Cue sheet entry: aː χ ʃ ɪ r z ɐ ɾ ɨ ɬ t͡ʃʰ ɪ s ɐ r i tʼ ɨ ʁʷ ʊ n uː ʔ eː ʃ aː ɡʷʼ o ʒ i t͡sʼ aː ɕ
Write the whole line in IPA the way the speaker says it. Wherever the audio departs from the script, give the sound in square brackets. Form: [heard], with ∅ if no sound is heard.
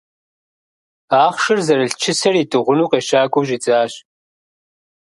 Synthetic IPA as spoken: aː χ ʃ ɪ r z ɐ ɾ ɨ ɬ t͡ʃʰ ɪ s ɐ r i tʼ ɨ ʁʷ ʊ n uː [q] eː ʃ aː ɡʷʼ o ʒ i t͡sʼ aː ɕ